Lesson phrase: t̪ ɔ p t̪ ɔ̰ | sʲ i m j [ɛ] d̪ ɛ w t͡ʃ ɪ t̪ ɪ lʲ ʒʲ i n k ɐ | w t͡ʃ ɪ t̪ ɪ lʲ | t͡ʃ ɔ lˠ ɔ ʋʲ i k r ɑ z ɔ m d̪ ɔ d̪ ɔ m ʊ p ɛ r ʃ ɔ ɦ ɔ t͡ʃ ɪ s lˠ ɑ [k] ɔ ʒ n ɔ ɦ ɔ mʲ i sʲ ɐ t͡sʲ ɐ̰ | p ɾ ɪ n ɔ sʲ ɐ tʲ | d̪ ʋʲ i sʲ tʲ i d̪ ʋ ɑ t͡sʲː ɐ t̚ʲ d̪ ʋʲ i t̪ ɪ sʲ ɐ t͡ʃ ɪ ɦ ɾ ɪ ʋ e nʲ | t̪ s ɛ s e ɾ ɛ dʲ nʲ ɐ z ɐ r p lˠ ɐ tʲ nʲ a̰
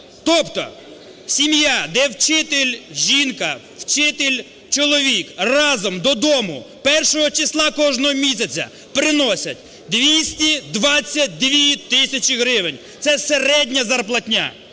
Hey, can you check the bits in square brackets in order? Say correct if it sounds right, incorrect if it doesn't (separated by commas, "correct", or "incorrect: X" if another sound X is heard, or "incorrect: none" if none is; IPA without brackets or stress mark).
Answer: incorrect: a, correct